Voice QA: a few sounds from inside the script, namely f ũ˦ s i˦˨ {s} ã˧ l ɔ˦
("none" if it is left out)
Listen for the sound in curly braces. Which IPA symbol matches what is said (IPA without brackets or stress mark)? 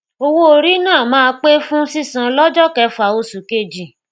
s